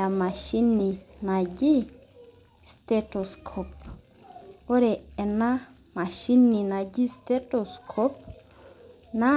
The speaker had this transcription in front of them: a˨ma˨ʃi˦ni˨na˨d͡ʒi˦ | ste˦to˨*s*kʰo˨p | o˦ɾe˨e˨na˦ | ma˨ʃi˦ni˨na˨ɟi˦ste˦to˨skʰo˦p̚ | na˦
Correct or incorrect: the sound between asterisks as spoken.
correct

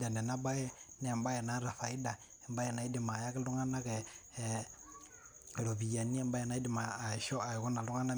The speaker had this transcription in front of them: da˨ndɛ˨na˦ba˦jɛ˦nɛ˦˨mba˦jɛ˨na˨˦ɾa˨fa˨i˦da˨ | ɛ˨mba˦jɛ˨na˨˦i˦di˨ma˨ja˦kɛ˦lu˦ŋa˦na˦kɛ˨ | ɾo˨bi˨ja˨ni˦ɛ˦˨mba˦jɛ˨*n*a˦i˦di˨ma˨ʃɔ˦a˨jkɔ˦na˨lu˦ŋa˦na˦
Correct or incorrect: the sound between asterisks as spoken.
correct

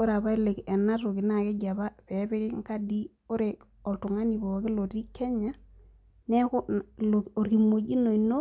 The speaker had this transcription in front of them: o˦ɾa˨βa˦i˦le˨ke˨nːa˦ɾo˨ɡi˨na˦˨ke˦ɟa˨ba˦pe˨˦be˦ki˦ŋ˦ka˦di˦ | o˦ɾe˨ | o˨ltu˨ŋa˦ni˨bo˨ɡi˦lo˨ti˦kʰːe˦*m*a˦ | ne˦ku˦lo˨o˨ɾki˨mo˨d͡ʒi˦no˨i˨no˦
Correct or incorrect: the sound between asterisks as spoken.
incorrect: ɲ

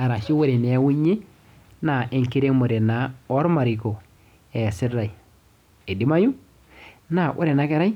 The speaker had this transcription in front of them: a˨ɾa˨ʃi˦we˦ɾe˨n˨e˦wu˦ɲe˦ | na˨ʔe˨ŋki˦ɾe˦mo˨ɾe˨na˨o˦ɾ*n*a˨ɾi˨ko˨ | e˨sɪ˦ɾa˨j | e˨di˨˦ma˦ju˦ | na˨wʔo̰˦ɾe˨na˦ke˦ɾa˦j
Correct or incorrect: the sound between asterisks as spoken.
incorrect: m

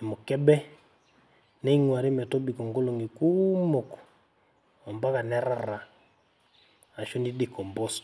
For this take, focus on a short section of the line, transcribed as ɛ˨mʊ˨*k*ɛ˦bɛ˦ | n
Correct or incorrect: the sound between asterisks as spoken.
correct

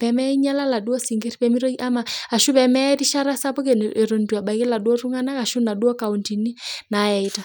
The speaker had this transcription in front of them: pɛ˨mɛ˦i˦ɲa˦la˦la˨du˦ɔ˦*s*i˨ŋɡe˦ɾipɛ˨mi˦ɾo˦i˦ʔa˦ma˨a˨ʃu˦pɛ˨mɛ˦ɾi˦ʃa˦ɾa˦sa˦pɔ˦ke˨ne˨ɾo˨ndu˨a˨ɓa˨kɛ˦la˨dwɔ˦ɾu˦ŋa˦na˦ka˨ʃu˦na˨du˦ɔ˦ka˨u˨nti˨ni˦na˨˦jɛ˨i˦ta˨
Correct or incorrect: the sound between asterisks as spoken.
correct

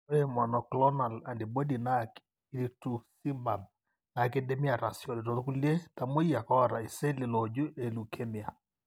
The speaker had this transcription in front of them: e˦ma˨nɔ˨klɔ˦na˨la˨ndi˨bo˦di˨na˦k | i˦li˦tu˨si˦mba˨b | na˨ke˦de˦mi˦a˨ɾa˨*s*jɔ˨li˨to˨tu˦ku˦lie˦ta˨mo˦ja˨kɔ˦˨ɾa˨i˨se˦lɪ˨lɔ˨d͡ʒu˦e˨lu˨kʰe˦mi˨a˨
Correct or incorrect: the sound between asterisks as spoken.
correct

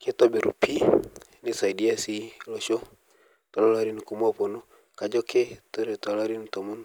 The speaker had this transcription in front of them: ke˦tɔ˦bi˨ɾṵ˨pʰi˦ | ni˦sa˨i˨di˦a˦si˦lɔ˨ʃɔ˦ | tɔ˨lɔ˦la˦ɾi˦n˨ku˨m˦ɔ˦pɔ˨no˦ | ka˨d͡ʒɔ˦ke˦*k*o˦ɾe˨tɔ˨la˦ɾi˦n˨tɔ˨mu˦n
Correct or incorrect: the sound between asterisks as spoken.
incorrect: t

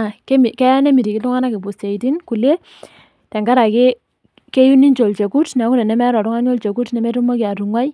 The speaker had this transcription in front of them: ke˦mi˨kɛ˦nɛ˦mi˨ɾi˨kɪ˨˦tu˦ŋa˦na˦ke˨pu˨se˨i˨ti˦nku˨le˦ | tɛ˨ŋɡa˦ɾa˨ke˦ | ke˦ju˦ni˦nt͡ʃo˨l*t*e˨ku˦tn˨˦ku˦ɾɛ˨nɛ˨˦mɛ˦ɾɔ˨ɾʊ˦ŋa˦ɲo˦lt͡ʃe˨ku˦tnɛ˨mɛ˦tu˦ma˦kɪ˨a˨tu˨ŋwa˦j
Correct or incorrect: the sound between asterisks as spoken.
incorrect: t͡ʃ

